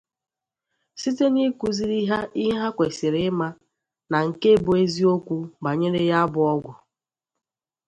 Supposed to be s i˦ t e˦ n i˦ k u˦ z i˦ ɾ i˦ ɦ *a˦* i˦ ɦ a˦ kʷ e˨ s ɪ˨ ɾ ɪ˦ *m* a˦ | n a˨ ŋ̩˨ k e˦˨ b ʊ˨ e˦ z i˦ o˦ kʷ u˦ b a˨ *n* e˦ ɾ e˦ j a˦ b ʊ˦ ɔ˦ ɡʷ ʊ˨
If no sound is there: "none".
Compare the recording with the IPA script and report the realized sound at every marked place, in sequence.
a˦, m, ɲ

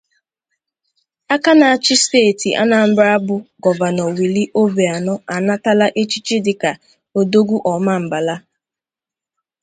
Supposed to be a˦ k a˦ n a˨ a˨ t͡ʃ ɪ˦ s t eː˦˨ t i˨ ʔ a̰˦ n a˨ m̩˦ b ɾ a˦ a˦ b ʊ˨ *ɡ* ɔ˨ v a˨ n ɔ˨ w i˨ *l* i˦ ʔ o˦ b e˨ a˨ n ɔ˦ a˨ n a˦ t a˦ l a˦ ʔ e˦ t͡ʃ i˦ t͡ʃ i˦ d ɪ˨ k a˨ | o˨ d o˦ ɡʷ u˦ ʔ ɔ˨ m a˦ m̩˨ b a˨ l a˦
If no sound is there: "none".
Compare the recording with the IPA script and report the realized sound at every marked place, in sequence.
ɡ, l

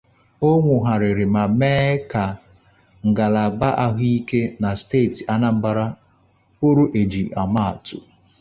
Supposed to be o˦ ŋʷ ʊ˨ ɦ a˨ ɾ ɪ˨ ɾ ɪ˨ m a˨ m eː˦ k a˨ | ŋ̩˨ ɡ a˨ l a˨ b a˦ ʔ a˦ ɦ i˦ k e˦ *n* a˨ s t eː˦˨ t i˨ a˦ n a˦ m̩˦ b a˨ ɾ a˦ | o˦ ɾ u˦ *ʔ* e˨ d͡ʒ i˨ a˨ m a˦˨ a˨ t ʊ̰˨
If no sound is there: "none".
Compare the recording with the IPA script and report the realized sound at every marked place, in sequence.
n, ʔ

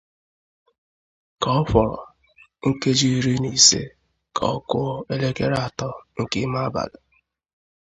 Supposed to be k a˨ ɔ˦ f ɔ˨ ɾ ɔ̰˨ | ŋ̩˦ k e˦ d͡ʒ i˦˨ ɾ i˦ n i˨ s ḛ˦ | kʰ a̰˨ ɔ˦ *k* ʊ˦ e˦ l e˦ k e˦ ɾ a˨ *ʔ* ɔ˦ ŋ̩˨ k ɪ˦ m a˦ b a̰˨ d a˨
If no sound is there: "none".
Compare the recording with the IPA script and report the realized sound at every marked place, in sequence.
k, t

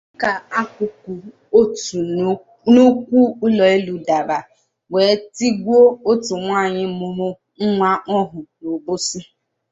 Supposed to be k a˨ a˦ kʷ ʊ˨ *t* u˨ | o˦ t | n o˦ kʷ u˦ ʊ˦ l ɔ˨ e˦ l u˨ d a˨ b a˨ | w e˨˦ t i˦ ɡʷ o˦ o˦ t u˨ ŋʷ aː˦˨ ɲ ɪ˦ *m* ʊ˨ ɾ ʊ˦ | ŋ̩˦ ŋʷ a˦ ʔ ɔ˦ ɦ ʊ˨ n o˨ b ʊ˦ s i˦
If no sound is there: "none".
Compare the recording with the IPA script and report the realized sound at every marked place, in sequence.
k, m

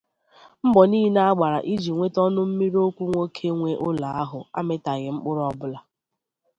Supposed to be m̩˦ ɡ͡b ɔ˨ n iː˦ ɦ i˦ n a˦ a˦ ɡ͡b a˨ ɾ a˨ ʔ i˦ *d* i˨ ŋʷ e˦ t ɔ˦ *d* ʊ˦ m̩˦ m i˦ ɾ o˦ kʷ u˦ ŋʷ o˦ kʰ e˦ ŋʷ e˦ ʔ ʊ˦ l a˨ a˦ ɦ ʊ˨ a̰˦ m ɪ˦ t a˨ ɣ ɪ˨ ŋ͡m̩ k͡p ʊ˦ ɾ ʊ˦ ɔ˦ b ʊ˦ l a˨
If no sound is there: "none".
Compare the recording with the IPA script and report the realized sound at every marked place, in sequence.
d͡ʒ, n

